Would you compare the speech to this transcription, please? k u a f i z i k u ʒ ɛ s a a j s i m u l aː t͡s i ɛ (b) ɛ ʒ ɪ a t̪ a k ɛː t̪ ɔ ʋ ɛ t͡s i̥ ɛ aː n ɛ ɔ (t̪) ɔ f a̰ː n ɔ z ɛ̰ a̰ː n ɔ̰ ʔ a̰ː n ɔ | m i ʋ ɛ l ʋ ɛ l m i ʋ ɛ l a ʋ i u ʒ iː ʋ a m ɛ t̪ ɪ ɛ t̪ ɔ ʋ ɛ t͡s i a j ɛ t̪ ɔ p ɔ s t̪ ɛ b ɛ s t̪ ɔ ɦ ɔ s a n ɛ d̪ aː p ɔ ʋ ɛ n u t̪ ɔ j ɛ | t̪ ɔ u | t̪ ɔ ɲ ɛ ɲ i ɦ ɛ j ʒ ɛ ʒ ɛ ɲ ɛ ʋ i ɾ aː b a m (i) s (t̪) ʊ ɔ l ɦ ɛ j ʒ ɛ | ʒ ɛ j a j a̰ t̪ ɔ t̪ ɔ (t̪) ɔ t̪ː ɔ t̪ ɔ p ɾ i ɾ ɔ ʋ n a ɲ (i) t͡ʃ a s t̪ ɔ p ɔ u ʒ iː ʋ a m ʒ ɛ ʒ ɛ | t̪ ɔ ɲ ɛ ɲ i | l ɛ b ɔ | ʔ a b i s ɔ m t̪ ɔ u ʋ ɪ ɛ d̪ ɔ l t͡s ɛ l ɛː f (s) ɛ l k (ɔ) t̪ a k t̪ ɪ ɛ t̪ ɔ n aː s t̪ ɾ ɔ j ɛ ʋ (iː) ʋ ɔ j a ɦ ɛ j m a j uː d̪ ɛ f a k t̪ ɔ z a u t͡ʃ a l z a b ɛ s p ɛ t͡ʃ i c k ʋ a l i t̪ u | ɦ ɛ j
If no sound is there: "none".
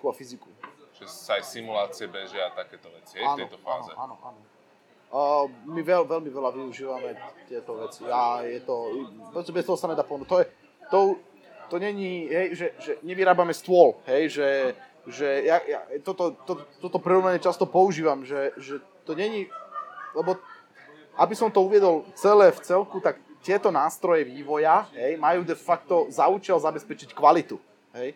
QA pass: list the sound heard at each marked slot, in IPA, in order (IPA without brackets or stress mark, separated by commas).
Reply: b, t̪, ɛ, t̪, t̪, ɛ, t͡s, u, iː